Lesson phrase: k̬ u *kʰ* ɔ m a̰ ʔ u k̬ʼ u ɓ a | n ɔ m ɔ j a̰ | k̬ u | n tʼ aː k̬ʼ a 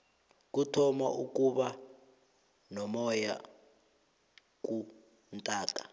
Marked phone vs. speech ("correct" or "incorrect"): incorrect